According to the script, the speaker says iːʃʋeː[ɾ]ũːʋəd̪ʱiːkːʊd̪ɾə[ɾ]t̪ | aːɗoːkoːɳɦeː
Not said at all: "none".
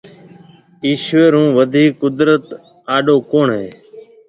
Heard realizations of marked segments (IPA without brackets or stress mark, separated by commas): ɾ, none